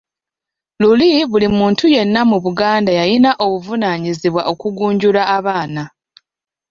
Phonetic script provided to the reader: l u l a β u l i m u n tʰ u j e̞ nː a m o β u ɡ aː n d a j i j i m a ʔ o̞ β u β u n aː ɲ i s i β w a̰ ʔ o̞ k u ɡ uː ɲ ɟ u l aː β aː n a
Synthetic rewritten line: l u l i β u l i m uː n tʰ u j e̞ nː a m u β u ɡ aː n d a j a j i n a ʔ o̞ β u v u n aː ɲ i z i β w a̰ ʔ o̞ k u ɡ uː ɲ ɟ u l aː β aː n a